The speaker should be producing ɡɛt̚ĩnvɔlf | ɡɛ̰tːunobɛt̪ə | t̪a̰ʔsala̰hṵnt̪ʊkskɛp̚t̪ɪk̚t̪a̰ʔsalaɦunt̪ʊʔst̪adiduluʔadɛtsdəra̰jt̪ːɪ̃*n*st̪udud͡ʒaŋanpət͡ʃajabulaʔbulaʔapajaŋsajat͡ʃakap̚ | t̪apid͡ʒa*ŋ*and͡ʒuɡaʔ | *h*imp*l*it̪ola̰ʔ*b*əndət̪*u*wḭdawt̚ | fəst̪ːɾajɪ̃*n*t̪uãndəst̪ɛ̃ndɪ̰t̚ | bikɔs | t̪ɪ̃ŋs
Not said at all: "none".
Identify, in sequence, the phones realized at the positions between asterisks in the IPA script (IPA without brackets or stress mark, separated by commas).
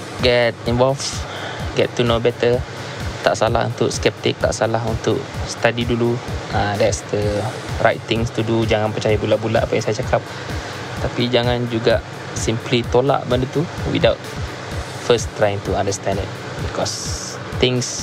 ŋ, ŋ, s, l, b, u, ŋ